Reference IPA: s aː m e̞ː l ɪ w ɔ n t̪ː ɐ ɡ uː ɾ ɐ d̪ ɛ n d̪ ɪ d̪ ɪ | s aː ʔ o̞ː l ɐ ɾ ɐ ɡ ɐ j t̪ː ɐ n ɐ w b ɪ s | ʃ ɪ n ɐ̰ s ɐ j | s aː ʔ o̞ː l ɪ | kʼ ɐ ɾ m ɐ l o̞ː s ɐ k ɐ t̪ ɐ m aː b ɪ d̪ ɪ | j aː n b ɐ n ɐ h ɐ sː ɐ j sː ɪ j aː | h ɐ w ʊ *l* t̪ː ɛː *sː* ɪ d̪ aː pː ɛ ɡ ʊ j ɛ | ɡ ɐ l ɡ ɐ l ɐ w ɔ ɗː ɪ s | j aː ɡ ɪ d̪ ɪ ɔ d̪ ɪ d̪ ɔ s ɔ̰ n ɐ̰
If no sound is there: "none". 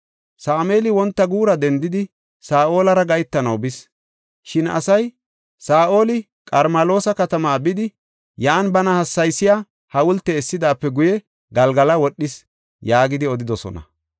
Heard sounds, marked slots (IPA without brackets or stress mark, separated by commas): l, sː